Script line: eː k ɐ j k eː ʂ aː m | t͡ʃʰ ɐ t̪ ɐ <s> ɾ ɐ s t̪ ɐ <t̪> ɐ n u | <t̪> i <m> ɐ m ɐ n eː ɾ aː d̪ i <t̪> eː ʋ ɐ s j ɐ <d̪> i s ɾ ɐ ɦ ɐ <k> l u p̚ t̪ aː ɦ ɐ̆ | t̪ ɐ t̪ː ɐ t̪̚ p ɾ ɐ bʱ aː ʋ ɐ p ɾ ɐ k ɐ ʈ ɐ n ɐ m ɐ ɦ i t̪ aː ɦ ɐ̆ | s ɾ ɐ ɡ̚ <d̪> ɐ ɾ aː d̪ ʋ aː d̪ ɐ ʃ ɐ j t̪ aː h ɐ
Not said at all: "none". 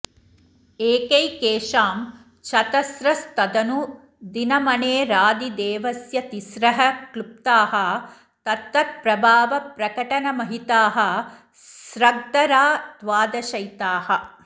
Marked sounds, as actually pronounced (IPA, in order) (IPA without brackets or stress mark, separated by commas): s, d̪, d̪, n, d̪, t̪, k, d̪